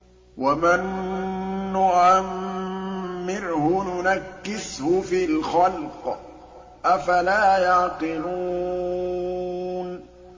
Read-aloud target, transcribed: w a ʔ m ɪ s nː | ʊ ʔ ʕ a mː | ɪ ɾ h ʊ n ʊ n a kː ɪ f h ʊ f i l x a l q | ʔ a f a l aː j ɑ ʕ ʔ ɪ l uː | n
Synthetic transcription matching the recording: w a m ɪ nː | ʊ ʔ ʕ a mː | ɪ ɾ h ʊ n ʊ n a kː ɪ s h ʊ f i l x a l q | ʔ a f a l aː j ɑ ʕ q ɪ l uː | n